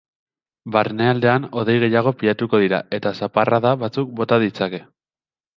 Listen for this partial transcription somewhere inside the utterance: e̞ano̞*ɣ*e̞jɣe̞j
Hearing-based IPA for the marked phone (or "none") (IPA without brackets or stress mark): ð